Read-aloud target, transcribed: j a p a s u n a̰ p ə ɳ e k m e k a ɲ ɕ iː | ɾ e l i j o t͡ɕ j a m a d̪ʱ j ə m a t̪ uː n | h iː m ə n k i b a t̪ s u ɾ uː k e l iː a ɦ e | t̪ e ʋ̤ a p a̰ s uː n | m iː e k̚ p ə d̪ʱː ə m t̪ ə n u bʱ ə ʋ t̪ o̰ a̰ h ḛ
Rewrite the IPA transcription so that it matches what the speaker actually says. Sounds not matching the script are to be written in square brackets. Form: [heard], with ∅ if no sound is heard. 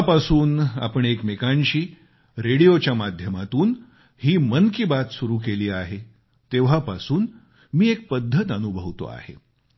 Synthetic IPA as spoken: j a p a s [uː] n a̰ p ə ɳ e k m e k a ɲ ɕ iː | ɾ e [ɽ] i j o t͡ɕ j a m a d̪ʱ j ə m a t̪ uː n | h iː m ə n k i b a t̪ s u ɾ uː k e l iː a ɦ e | t̪ e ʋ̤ a p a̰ s uː n | m iː e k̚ p ə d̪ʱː ə [∅] t̪ ə n u bʱ ə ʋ t̪ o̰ a̰ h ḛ

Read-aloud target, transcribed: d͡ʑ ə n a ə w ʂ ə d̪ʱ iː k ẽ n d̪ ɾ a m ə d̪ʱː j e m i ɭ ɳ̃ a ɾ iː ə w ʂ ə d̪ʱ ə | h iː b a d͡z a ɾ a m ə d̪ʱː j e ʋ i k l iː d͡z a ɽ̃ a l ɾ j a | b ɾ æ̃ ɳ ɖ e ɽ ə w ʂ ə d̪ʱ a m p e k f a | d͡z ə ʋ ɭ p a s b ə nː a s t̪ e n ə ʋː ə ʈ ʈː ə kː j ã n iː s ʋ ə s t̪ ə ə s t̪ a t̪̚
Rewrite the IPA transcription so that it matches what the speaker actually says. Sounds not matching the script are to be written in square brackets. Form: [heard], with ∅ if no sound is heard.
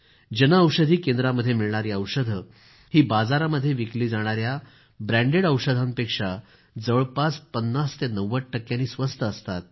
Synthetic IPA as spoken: d͡ʑ ə n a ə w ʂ ə d̪ʱ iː k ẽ n d̪ ɾ a m ə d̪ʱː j e m i ɭ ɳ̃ a ɾ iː ə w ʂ ə d̪ʱ ə | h iː b a d͡z a ɾ a m ə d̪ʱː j e ʋ i k l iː d͡z a ɽ̃ a [∅] ɾ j a | b ɾ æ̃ ɳ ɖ e ɽ ə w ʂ ə d̪ʱ a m p e k [ʂ] a | d͡z ə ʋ ɭ p a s [p] ə nː a s t̪ e n ə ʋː ə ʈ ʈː ə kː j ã n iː s ʋ ə s t̪ ə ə s t̪ a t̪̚

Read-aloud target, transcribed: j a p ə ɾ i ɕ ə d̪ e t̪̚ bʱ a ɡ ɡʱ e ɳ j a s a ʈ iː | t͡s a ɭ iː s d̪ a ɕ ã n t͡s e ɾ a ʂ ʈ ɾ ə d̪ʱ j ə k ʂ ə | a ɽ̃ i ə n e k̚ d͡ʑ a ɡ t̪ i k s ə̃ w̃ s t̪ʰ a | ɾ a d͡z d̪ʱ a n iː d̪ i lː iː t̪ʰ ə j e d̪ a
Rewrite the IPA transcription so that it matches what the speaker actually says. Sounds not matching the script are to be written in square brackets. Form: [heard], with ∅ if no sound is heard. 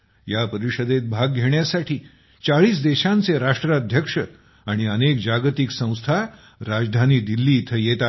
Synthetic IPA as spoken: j a p ə ɾ i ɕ ə d̪ e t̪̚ bʱ a ɡ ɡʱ e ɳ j a s a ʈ iː | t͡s a ɭ iː s d̪ [e] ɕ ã n t͡s e ɾ a ʂ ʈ ɾ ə d̪ʱ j ə k ʂ ə | a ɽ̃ i ə n e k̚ d͡ʑ a ɡ t̪ i k s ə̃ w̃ s t̪ʰ a | ɾ a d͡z d̪ʱ a n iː d̪ i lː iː t̪ʰ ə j e [t̪] a

